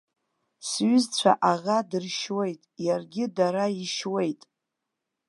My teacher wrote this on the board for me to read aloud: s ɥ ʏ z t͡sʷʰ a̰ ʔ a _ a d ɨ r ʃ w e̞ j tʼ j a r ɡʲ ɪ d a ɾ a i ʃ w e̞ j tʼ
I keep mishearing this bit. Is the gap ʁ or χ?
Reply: ʁ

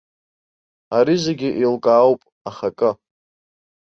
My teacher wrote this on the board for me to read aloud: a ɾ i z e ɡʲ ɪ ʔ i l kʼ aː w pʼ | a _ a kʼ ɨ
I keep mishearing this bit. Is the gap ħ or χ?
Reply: χ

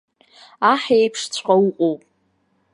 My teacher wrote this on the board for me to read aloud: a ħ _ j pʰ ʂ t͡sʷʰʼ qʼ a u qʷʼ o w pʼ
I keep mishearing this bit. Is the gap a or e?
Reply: e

